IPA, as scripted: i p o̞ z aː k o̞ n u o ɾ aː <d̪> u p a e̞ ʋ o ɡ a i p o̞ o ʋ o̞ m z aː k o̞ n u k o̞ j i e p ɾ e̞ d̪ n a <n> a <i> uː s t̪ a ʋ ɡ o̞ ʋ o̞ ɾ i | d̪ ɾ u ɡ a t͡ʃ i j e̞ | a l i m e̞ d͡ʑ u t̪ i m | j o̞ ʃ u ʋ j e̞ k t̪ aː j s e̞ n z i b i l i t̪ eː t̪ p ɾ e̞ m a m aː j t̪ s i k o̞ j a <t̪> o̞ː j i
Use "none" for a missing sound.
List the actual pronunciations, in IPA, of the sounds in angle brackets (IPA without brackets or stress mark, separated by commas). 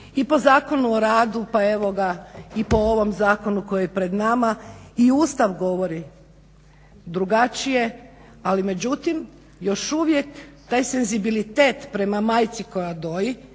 d̪, m, i, d̪